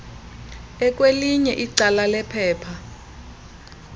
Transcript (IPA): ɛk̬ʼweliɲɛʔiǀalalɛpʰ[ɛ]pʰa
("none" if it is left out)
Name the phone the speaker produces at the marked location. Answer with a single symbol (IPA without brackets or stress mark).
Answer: ɛː